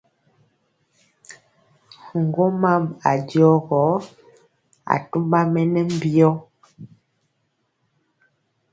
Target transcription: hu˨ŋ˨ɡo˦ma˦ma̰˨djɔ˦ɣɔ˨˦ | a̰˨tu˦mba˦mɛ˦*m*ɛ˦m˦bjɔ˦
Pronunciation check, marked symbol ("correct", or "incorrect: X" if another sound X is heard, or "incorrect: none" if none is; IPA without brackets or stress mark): incorrect: n